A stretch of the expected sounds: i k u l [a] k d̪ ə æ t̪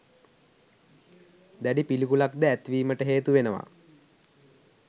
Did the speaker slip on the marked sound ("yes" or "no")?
no